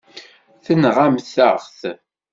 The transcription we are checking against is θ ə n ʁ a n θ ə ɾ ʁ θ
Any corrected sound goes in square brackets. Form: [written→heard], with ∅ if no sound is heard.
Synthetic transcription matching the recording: θ ə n ʁ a [n→m] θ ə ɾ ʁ θ